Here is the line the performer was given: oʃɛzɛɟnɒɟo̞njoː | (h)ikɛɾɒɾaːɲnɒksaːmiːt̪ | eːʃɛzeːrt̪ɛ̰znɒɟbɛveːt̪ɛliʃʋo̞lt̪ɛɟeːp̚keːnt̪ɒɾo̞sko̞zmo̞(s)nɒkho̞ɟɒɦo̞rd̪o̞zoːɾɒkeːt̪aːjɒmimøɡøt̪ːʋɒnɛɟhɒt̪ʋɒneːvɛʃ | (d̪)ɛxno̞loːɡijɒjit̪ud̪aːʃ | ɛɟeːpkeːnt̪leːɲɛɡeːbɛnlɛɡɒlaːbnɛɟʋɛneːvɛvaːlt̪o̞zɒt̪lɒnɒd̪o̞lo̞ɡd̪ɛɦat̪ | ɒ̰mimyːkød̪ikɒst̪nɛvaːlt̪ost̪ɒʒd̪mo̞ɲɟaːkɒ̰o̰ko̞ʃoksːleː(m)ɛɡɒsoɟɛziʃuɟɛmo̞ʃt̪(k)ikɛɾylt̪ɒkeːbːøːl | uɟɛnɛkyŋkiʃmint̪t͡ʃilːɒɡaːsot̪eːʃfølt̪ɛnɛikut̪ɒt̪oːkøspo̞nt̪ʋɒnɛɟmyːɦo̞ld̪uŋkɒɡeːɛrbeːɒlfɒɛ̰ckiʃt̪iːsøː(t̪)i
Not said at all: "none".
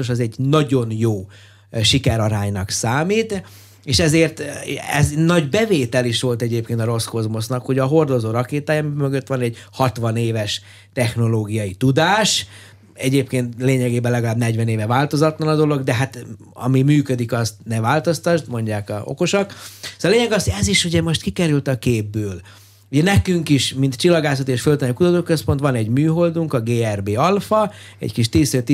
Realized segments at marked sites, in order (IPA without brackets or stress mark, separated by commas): ʃ, s, t̪, ɲ, k, t̪